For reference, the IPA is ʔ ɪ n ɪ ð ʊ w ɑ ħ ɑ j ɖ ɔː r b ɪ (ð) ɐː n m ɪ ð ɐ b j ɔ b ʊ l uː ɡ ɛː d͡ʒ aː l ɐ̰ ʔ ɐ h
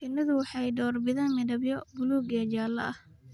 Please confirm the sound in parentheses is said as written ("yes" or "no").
yes